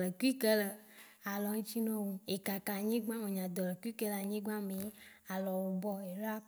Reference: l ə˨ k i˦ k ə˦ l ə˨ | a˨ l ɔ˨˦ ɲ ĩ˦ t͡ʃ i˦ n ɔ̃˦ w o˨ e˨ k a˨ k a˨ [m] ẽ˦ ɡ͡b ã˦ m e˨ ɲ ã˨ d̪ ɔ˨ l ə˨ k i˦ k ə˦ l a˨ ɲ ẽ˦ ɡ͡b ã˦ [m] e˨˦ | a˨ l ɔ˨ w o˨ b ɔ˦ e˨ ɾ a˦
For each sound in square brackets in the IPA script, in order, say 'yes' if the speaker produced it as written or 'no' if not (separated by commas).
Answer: no, yes